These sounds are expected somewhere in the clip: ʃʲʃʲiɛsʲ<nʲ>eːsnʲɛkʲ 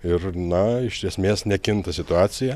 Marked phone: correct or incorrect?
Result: incorrect